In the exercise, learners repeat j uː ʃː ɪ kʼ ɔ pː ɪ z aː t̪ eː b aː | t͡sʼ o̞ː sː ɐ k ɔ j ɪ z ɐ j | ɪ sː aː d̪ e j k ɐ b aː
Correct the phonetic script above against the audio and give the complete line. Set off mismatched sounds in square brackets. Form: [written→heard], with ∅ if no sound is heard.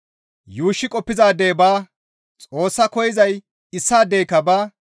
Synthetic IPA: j uː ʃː ɪ kʼ ɔ pː ɪ z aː [t̪→d̪] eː b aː | t͡sʼ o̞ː sː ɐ k ɔ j ɪ z ɐ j | ɪ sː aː d̪ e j k ɐ b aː